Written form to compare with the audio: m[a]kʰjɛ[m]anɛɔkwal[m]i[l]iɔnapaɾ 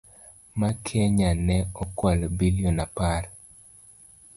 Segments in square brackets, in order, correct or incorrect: correct, incorrect: ɲ, incorrect: b, correct

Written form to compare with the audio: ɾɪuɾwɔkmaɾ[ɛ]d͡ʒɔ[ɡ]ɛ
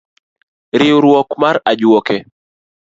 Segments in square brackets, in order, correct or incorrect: incorrect: a, incorrect: k

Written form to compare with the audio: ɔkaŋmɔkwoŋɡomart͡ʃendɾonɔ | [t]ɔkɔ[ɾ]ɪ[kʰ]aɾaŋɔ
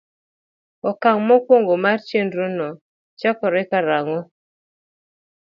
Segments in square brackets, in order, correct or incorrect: incorrect: t͡ʃ, correct, incorrect: k

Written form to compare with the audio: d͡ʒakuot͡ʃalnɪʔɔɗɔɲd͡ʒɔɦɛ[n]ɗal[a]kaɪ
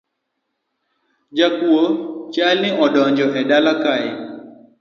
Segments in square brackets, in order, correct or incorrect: incorrect: none, correct

